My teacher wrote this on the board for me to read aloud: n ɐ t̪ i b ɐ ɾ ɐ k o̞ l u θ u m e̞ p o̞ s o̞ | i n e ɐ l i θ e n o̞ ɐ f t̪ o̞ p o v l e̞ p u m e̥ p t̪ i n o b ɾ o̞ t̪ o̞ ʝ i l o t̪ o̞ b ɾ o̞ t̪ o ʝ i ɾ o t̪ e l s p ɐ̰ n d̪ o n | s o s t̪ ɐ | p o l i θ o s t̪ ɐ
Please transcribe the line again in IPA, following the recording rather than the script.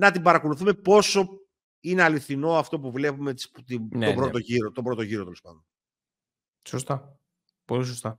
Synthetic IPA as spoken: n ɐ t̪ i b ɐ ɾ ɐ k o̞ l u θ u m e̞ p o̞ s o̞ | i n e ɐ l i θ i n o̞ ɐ f t̪ o̞ p u v l e̞ p u m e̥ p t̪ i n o b ɾ o̞ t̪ o̞ ʝ i ɾ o t̪ o̞ b ɾ o̞ t̪ o ʝ i ɾ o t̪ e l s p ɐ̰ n d̪ o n | s o s t̪ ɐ | p o l i s o s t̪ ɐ